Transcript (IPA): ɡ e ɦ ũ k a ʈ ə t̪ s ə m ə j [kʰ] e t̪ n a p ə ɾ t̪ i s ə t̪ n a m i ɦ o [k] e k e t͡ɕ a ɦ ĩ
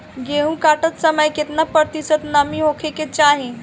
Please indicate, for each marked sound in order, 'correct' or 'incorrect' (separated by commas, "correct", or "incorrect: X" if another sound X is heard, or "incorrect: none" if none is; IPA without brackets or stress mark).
incorrect: k, incorrect: kʰ